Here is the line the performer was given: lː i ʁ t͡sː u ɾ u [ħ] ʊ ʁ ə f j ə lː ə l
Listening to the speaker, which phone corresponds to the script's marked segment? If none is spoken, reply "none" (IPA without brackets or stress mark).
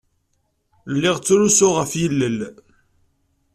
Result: s